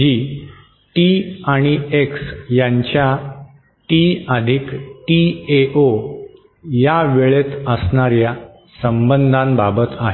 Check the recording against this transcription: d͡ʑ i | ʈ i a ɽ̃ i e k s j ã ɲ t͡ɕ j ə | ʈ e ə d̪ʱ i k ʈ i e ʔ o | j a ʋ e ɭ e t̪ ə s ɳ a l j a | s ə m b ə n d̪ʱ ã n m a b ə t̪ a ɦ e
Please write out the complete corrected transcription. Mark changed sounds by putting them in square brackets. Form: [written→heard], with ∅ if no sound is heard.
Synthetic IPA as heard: d͡ʑ i | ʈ i a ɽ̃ i e k s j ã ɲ t͡ɕ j [ə→a] | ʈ [e→i] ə d̪ʱ i k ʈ i e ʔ o | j a ʋ e ɭ e t̪ ə s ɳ a [l→ɾ] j a | s ə m b ə n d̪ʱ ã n [m→b] a b ə t̪ a ɦ e